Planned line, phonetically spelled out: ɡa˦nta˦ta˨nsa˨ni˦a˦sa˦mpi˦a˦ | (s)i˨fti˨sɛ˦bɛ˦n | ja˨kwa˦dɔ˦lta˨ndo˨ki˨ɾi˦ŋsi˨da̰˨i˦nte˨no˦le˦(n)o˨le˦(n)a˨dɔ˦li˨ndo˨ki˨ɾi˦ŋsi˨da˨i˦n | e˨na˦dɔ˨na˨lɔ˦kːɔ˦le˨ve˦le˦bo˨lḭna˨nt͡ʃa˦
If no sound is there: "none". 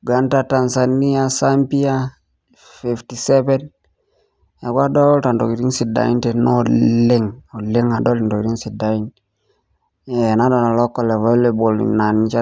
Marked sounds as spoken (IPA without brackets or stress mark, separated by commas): f, ŋ, ŋ